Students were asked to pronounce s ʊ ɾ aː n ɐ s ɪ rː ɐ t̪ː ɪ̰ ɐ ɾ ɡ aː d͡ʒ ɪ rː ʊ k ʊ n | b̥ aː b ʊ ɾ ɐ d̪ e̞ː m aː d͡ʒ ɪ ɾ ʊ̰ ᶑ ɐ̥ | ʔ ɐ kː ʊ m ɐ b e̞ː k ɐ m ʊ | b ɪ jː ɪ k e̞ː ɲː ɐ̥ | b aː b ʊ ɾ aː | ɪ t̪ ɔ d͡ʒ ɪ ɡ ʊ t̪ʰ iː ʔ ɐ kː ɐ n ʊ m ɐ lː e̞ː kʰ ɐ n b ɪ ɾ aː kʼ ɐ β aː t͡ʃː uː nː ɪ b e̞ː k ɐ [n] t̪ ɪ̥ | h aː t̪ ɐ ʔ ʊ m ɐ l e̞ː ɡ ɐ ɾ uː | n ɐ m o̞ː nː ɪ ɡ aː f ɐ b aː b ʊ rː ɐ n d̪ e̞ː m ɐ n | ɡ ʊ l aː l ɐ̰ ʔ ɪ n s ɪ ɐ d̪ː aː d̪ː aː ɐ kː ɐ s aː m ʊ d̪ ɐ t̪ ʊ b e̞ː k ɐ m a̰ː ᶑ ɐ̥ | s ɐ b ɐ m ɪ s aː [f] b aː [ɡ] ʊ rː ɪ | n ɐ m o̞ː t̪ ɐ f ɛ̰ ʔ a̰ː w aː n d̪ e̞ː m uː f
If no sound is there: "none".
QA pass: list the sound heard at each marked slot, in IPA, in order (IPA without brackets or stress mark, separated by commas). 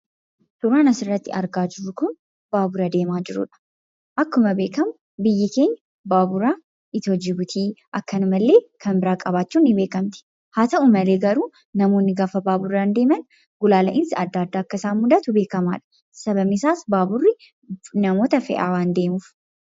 m, s, b